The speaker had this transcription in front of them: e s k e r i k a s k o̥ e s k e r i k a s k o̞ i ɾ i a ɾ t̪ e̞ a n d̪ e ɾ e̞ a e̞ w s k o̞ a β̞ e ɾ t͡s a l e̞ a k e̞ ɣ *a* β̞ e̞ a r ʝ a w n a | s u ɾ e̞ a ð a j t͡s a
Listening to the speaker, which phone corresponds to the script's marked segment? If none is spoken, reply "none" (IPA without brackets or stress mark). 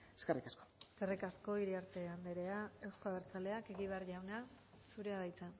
i